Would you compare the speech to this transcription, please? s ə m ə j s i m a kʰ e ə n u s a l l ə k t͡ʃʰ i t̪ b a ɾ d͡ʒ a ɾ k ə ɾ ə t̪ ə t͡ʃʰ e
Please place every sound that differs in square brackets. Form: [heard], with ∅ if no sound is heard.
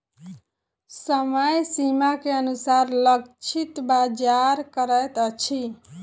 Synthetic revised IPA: s ə m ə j s i m a [k] e ə n u s a [ɾ] l ə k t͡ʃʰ i t̪ b a [∅] d͡ʒ a ɾ k ə ɾ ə t̪ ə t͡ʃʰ [i]